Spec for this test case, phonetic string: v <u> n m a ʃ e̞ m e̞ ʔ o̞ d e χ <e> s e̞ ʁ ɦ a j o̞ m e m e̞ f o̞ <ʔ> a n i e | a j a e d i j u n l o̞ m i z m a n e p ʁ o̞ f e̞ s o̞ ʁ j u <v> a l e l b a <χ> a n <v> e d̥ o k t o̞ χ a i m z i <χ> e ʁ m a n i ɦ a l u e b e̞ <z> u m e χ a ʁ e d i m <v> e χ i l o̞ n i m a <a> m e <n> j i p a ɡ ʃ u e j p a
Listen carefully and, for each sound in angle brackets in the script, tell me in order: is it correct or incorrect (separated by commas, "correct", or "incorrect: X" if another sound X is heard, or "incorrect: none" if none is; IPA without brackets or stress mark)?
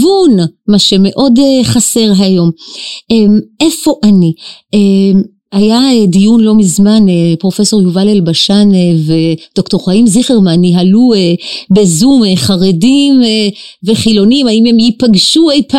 correct, incorrect: a, correct, correct, incorrect: ʃ, correct, correct, correct, correct, incorrect: i, incorrect: m